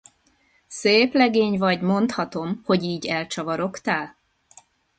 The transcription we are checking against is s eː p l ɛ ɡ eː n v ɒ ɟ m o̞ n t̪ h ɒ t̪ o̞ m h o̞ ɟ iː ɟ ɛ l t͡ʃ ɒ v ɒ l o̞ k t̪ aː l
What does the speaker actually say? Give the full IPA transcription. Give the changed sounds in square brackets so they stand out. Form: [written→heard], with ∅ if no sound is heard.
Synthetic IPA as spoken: s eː p l ɛ ɡ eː [n→ɲ] v ɒ ɟ m o̞ n t̪ h ɒ t̪ o̞ m h o̞ ɟ iː ɟ ɛ l t͡ʃ ɒ v ɒ [l→ɾ] o̞ k t̪ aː l